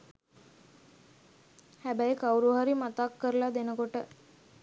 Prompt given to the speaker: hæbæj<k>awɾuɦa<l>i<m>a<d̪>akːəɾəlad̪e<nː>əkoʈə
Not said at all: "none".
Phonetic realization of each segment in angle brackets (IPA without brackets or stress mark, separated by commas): k, ɾ, m, t̪, n